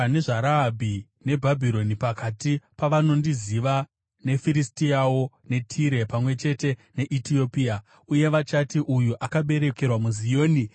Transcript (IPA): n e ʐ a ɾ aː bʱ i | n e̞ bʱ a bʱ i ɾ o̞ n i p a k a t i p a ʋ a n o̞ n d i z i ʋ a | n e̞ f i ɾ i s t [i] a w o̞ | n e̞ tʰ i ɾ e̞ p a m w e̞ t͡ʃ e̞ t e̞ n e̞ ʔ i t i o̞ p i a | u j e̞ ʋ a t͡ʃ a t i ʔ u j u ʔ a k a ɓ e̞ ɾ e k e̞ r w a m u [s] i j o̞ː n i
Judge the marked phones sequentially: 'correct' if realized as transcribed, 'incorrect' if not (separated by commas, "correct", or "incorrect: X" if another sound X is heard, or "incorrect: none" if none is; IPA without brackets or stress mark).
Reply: correct, incorrect: z